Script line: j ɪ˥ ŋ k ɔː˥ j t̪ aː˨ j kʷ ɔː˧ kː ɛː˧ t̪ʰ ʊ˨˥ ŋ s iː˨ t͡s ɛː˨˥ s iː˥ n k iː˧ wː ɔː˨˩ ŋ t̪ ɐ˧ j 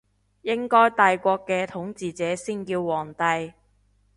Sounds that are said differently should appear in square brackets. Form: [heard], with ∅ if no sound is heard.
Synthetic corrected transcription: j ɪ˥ ŋ k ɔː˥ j t̪ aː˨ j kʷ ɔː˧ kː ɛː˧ t̪ʰ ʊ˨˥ ŋ [t͡s] iː˨ t͡s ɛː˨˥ s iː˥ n k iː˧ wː ɔː˨˩ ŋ t̪ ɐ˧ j